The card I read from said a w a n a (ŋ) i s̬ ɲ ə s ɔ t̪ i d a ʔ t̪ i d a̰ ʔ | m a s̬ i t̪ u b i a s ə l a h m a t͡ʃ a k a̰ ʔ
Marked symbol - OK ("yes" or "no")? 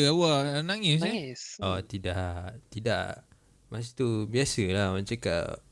yes